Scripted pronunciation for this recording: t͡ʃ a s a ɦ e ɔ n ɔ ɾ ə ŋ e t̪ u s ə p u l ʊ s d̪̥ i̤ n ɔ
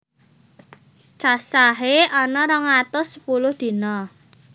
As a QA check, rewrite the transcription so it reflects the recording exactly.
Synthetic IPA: t͡ʃ a s a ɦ e ɔ n ɔ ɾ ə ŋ a t̪ ʊ s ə p u l ʊ h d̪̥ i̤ n ɔ